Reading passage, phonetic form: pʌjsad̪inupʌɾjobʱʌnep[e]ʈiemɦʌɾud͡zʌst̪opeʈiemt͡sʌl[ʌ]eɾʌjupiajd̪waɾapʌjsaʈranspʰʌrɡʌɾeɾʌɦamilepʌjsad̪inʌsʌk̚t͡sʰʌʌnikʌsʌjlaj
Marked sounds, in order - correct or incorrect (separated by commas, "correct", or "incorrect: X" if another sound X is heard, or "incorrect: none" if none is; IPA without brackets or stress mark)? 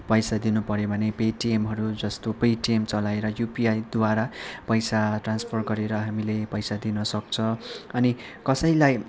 correct, incorrect: a